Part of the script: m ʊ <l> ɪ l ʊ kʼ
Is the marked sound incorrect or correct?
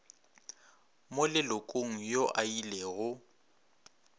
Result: correct